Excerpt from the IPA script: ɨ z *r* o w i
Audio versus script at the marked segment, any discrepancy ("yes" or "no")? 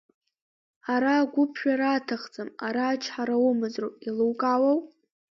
no